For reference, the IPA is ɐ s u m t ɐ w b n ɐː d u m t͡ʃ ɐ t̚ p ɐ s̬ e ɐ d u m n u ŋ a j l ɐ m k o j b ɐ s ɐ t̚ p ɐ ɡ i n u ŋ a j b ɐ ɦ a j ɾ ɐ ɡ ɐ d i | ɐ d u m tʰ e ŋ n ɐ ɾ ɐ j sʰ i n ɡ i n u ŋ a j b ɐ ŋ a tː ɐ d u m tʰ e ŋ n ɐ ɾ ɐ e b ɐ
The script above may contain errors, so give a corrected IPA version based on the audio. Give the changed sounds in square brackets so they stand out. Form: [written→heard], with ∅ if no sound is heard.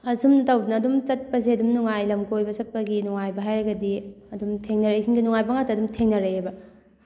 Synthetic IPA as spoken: ɐ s u m t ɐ w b n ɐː d u m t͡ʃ ɐ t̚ p ɐ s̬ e ɐ d u m n u ŋ a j l ɐ m k o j b ɐ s ɐ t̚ p ɐ ɡ i n u ŋ a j b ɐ ɦ a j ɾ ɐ ɡ ɐ d i | ɐ d u m tʰ e ŋ n ɐ ɾ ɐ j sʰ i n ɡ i n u ŋ a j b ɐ ŋ a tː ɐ d u m tʰ e ŋ n ɐ ɾ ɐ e b ɐ